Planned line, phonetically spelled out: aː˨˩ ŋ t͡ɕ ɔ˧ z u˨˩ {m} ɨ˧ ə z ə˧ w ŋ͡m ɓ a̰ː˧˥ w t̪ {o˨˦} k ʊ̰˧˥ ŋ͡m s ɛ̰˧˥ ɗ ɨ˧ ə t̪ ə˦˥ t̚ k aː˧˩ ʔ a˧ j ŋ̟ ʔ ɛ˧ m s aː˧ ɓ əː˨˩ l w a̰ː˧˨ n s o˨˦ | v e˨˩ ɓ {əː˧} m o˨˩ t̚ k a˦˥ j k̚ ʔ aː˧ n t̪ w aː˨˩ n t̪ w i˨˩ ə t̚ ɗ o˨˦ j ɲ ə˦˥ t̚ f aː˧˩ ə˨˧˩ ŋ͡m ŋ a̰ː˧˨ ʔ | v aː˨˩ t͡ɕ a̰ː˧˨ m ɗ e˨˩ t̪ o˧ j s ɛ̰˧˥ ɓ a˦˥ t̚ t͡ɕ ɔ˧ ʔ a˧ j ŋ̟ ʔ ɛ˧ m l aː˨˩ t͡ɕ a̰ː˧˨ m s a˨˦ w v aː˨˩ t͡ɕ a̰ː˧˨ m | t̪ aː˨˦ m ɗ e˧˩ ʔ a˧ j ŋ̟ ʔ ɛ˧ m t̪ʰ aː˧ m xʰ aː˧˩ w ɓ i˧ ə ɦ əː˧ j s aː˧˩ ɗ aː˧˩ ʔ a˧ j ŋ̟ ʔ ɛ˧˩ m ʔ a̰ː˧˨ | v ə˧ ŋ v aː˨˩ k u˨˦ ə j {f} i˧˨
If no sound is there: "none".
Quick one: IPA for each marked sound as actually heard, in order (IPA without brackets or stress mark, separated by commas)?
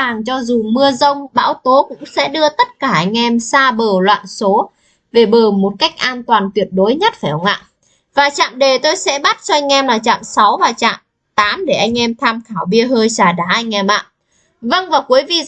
m, o˨˦, əː˨˩, v